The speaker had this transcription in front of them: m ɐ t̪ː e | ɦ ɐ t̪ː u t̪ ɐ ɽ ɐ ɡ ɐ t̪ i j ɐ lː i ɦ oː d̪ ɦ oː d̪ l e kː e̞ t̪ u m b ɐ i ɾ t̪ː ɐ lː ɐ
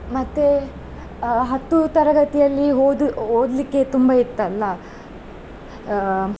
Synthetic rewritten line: m ɐ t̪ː e | ɦ ɐ t̪ː u t̪ ɐ ɾ ɐ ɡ ɐ t̪ i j ɐ lː i ɦ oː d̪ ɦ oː d̪ l i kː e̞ t̪ u m b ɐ i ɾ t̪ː ɐ lː ɐ